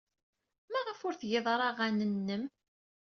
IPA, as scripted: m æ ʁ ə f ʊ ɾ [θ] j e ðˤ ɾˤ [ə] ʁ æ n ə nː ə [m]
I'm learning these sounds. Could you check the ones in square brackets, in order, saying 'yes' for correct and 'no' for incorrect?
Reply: yes, no, yes

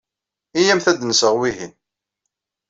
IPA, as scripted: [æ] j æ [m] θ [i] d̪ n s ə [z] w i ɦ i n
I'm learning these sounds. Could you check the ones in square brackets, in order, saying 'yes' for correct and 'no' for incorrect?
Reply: no, yes, no, no

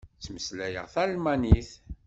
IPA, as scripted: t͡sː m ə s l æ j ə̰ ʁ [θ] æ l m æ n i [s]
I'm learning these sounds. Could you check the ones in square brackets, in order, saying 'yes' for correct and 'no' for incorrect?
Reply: yes, no

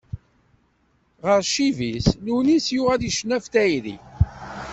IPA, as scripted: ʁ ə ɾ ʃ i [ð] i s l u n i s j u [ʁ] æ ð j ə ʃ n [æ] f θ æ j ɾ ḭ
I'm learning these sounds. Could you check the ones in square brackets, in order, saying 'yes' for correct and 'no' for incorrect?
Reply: no, yes, yes

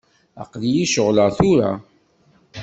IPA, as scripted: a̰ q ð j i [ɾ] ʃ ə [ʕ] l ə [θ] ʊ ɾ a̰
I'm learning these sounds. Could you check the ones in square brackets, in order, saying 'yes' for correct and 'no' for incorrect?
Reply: no, no, yes

